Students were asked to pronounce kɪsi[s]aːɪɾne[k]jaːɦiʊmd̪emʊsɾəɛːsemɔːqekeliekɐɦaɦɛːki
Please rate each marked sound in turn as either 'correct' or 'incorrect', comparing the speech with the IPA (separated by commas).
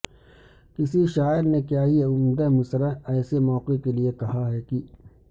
incorrect, correct